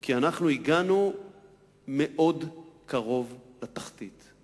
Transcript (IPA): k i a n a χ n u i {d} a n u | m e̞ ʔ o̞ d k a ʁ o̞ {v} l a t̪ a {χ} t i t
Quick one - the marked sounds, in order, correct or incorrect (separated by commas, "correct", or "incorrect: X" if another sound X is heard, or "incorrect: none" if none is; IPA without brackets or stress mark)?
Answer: incorrect: ɡ, correct, correct